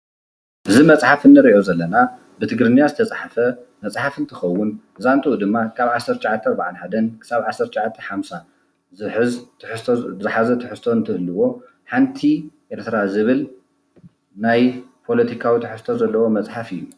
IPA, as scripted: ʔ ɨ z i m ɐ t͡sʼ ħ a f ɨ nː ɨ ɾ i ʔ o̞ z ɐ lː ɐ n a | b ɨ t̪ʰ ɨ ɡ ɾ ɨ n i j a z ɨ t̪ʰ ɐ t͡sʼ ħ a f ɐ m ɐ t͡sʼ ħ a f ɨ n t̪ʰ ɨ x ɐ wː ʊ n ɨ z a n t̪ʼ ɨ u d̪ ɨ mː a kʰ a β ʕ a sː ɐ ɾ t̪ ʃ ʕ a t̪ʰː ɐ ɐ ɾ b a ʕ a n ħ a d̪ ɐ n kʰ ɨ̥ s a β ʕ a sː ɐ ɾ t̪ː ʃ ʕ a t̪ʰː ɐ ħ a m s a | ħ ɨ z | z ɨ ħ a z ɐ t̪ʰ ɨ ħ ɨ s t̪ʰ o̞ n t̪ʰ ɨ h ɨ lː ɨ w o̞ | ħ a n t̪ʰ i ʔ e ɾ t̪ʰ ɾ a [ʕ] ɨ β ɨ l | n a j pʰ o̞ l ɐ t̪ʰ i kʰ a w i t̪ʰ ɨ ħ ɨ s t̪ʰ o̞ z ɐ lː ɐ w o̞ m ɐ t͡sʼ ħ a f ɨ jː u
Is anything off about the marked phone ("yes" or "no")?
yes